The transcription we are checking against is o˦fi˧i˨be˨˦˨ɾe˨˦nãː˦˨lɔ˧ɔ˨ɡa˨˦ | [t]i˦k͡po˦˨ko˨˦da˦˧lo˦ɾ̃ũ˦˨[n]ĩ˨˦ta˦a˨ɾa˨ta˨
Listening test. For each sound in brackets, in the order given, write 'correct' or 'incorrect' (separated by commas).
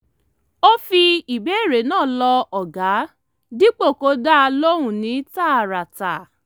incorrect, correct